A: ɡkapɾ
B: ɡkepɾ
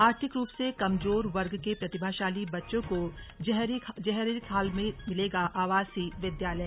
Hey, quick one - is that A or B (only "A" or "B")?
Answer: B